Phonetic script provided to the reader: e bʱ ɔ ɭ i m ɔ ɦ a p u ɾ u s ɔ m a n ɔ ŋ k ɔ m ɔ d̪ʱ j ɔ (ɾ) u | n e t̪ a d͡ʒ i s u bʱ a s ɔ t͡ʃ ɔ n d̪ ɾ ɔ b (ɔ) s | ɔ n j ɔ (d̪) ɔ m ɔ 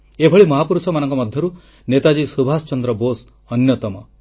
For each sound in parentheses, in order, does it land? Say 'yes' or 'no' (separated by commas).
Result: yes, no, no